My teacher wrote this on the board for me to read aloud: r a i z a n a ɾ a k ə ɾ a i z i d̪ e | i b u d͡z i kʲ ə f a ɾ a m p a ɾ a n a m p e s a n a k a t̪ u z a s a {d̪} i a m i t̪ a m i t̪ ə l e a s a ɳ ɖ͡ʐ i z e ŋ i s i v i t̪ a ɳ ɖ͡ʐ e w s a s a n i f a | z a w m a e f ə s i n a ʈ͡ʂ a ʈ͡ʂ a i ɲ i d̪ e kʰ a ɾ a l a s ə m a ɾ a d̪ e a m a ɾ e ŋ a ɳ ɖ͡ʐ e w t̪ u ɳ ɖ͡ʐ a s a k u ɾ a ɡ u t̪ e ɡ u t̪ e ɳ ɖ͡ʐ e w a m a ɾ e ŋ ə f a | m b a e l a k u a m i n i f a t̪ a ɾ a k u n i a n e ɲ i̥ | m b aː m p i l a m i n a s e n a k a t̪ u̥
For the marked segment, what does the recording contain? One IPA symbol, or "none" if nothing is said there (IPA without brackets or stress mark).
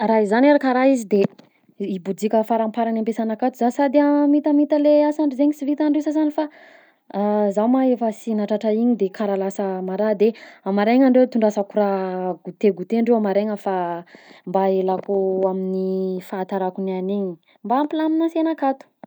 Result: d̪